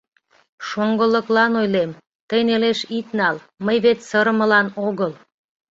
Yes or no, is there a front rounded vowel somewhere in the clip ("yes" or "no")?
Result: no